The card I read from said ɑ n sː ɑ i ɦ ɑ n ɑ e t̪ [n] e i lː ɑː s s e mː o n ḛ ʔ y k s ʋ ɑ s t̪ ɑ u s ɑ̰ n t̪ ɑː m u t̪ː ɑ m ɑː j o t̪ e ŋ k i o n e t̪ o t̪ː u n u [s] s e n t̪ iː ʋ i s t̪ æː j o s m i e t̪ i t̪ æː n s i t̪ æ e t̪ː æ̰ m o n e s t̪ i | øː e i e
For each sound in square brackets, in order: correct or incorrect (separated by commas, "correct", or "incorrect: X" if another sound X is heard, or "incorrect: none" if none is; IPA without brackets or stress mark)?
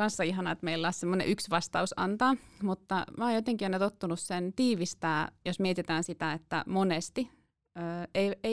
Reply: incorrect: m, correct